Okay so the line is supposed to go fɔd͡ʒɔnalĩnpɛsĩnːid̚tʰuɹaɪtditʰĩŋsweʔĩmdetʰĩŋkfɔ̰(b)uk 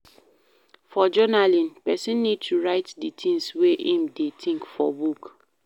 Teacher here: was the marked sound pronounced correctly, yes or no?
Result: yes